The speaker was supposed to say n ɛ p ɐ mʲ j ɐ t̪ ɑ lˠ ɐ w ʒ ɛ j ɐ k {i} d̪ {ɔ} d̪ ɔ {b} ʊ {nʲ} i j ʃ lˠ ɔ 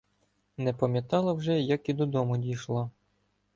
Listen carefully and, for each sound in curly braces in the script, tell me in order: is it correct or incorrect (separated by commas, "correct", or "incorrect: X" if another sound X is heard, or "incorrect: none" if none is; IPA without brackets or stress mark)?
correct, correct, incorrect: m, incorrect: dʲ